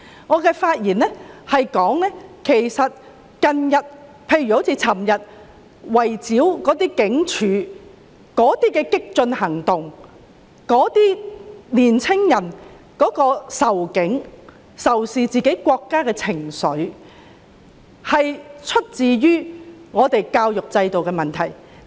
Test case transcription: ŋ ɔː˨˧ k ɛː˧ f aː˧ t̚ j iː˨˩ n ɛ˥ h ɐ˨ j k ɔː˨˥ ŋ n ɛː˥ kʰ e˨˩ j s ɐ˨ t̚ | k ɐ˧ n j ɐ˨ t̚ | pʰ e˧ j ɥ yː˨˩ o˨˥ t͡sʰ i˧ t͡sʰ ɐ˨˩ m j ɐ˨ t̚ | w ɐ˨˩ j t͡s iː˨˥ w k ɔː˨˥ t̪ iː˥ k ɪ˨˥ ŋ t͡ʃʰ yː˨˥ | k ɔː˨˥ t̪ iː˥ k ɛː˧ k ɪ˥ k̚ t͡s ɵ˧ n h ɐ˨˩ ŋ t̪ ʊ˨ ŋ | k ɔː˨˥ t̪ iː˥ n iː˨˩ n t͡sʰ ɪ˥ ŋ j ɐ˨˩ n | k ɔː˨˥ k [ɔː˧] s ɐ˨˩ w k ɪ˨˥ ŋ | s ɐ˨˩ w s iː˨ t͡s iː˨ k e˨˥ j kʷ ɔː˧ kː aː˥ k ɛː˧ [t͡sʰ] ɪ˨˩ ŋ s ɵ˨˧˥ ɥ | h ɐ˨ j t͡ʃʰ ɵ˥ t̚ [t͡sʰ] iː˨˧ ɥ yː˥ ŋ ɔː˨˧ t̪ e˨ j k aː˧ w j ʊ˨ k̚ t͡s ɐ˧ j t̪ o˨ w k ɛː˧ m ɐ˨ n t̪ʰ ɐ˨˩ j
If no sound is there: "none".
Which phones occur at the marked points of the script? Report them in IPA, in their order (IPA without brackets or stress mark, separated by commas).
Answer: ɔː˧, t͡sʰ, t͡s